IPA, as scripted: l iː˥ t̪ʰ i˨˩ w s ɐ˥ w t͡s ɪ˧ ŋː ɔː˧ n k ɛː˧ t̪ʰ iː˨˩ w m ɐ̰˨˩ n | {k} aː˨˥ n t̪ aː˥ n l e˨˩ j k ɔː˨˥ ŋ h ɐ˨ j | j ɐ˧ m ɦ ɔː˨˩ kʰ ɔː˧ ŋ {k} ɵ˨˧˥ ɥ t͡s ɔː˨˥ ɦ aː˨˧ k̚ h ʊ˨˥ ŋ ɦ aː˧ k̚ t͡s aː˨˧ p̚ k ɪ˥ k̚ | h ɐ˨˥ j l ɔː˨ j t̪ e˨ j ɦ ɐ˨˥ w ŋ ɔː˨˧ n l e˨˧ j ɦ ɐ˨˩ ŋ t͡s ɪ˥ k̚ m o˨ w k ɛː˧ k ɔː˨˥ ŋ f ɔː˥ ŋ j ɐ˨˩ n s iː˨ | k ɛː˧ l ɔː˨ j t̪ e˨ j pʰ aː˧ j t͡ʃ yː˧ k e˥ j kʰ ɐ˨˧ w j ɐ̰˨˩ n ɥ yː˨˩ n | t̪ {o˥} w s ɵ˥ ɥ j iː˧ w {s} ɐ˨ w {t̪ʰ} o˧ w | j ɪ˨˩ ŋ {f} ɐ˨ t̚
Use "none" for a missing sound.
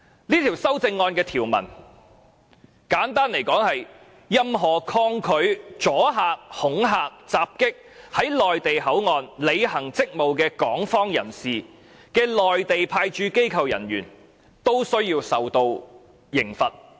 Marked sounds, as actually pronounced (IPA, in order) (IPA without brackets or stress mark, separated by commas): k, kʰ, o˥, s, t̪, f